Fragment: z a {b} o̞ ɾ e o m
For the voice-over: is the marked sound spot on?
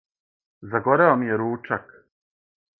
no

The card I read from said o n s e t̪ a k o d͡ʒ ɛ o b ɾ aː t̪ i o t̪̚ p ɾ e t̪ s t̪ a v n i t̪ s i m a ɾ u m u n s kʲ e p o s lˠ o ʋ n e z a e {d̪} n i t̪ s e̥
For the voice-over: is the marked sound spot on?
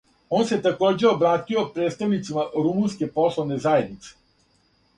yes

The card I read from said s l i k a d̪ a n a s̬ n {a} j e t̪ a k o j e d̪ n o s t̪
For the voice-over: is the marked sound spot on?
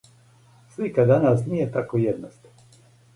no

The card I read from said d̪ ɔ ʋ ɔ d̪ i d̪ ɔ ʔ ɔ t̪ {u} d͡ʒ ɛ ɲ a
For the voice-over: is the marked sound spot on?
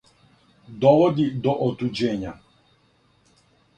yes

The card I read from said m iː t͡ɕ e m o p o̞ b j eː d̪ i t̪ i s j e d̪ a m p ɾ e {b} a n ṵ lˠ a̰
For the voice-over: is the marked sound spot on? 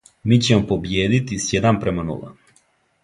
no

